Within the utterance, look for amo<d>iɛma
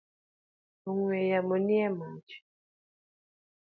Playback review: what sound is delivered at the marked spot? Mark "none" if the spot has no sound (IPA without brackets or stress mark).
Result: n